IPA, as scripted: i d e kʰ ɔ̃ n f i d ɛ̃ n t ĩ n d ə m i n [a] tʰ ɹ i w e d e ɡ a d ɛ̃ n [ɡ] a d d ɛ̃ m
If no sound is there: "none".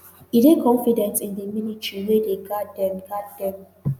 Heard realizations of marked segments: i, ɡ

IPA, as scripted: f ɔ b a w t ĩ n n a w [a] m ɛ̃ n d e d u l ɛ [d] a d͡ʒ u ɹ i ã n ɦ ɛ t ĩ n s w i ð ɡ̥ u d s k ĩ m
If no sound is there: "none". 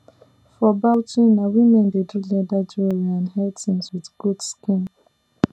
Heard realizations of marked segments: i, d

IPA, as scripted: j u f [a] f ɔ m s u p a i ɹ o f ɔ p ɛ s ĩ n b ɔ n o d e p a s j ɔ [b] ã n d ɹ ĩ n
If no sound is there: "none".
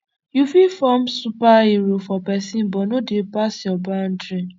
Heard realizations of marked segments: i, b

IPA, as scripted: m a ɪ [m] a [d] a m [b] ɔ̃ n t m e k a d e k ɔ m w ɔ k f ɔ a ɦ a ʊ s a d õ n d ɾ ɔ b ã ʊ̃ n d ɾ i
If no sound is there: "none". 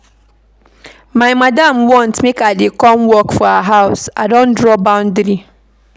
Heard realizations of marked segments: m, d, w

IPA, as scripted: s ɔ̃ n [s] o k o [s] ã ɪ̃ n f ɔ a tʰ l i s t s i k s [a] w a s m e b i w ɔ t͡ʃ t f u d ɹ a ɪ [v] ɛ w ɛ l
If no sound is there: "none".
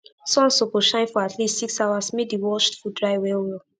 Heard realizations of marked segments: s, ʃ, a, w

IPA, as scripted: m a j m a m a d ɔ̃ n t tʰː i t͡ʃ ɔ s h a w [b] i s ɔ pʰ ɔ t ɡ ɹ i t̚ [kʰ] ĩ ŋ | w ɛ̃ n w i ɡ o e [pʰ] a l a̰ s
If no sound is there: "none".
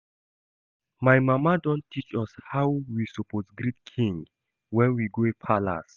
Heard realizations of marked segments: w, kʰ, pʰ

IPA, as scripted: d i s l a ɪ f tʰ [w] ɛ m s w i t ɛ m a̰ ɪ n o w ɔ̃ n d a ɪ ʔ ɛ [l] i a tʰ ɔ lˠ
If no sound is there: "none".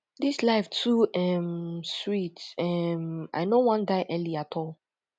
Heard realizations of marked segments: u, l

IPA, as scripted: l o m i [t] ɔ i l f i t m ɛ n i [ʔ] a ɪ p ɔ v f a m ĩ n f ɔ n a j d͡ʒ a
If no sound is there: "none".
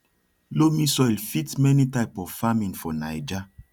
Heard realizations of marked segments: s, t

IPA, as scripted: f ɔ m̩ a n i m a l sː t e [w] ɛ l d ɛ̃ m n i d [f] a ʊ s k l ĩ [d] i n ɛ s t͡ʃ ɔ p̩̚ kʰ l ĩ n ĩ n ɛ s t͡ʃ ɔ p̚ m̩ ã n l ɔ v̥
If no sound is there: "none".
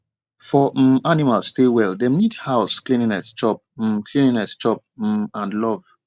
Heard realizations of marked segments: w, h, n

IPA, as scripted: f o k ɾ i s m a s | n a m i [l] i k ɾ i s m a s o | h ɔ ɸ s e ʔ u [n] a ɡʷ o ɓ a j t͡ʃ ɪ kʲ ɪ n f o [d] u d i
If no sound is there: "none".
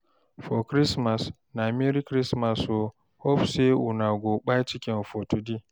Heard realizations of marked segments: ɾ, n, t

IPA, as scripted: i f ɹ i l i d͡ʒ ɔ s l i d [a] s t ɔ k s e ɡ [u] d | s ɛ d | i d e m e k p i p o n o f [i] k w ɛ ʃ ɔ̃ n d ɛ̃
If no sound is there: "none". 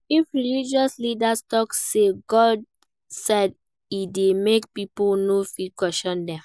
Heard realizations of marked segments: a, ɔ, i

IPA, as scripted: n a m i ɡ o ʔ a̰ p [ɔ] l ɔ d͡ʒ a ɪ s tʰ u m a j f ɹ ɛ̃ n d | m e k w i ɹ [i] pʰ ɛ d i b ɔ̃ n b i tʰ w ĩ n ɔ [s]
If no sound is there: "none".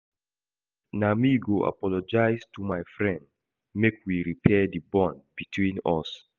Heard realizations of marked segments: ɔ, i, s

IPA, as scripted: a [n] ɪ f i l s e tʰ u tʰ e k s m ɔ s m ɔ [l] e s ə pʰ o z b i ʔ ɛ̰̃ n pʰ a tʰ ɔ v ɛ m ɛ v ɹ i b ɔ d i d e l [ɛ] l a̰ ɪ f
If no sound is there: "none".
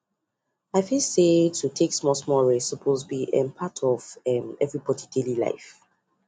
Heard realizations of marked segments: none, ɹ, i

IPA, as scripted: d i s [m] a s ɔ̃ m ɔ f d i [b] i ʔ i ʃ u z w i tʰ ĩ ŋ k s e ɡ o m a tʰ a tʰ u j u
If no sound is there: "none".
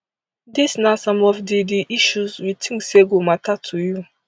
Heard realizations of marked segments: n, d

